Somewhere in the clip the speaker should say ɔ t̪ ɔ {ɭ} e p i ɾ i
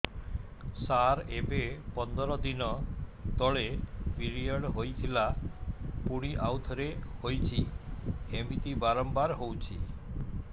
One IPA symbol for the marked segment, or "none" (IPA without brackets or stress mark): ɭ